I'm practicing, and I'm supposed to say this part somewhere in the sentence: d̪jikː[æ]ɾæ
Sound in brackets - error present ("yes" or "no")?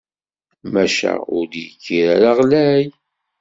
yes